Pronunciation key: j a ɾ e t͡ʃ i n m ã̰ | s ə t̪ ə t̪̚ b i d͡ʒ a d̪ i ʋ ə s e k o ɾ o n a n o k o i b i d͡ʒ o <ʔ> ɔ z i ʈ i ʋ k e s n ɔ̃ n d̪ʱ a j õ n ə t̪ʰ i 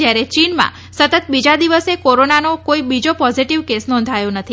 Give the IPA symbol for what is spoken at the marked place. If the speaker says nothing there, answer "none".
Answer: p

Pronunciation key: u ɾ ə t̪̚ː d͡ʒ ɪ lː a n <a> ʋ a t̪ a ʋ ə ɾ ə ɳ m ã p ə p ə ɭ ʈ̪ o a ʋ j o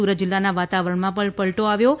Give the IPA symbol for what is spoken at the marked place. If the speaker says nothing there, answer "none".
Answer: a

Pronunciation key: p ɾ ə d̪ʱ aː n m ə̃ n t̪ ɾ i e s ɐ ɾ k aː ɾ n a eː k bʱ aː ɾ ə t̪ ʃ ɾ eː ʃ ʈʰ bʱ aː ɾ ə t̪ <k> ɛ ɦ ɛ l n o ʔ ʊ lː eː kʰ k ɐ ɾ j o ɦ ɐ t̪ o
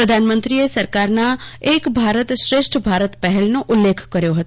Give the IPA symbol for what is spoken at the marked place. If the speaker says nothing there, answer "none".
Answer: p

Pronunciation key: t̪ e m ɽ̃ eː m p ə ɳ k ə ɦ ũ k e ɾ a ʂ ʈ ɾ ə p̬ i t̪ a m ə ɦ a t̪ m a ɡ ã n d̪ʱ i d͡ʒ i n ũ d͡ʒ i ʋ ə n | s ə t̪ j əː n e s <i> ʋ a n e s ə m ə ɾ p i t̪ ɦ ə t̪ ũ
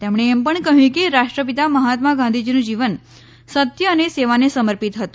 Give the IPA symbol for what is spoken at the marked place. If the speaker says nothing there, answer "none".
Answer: e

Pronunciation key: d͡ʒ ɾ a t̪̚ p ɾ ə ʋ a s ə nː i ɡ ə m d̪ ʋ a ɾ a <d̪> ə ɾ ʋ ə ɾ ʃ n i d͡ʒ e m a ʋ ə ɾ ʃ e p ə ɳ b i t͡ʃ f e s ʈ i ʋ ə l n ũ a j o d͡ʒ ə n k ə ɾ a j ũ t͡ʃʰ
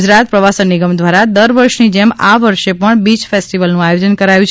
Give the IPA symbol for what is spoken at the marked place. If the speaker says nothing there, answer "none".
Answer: d̪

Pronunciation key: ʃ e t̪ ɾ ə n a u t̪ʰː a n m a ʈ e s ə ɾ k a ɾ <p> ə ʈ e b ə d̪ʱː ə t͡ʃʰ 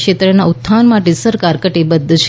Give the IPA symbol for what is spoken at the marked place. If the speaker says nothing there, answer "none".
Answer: k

